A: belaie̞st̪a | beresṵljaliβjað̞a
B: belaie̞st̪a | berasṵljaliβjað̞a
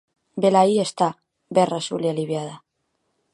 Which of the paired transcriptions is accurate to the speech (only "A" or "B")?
B